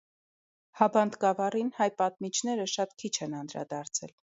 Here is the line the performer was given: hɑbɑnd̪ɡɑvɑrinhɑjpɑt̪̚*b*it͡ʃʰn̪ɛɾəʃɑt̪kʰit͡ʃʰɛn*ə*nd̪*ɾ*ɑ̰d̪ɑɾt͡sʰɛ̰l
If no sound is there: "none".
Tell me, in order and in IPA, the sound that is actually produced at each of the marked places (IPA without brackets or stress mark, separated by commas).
m, ɑ, ɾ